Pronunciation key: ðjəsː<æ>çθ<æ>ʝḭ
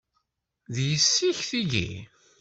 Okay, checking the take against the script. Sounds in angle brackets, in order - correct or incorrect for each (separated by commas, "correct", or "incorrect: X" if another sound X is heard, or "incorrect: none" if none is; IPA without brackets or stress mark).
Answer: incorrect: i, incorrect: i